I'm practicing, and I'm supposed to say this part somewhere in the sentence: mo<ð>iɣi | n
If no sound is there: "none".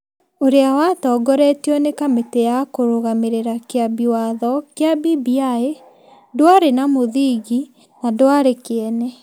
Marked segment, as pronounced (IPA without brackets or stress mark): ð